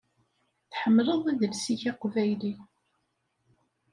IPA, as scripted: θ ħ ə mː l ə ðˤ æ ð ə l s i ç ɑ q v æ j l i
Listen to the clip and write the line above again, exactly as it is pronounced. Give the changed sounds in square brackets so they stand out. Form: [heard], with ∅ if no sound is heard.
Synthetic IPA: θ ħ ə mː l ə ðˤ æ ð ə l s i ç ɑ q v æ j l i